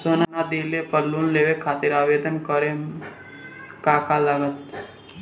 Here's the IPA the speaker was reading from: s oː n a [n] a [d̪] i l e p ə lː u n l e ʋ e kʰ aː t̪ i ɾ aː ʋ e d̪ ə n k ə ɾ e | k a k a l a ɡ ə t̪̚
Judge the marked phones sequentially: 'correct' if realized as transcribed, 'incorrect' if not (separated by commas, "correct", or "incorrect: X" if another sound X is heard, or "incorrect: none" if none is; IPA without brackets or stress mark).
correct, correct